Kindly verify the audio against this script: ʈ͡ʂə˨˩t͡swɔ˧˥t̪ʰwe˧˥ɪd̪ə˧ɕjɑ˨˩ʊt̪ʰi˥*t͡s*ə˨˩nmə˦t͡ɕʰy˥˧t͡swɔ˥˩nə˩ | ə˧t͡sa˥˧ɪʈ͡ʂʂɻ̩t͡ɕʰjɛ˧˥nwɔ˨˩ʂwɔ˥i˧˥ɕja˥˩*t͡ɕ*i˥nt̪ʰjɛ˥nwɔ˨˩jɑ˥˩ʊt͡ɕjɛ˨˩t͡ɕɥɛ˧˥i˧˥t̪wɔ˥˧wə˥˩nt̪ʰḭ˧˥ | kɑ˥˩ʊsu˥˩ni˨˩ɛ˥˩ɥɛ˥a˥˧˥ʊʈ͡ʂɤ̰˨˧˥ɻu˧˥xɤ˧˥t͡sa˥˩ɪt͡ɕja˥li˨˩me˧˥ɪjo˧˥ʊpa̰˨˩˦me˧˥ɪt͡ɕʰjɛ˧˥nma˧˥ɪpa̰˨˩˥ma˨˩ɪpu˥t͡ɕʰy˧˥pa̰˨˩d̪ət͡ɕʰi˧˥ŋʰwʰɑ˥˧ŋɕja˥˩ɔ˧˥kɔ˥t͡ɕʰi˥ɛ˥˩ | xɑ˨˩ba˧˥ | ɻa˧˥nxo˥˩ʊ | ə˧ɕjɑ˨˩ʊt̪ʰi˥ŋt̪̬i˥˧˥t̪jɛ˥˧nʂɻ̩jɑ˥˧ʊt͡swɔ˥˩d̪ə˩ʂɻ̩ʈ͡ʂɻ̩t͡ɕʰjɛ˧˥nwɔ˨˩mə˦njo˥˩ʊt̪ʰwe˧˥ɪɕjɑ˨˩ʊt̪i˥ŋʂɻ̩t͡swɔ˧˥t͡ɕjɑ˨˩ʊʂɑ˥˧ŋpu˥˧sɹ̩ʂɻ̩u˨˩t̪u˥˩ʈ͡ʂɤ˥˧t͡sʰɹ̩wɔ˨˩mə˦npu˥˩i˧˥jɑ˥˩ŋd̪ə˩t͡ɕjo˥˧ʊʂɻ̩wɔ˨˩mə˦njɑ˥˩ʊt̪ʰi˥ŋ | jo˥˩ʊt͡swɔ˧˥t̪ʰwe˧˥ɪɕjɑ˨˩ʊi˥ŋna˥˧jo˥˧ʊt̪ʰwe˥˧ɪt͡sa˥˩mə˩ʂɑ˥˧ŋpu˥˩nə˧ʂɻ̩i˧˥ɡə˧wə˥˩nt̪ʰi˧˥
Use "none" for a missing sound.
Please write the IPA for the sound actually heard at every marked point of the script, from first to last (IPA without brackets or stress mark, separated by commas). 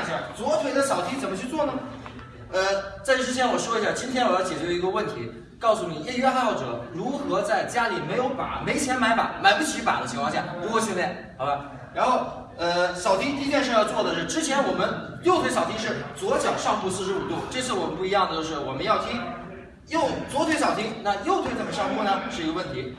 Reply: t͡s, t͡ɕ